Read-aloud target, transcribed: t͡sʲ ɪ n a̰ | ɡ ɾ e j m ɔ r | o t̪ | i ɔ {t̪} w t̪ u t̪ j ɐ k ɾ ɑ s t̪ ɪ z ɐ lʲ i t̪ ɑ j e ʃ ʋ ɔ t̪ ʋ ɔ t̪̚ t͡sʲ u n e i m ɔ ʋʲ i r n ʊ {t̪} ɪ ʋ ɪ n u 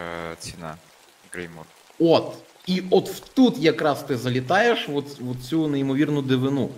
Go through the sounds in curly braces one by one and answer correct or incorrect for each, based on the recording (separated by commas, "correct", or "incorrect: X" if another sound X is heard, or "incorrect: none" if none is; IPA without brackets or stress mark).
correct, incorrect: d̪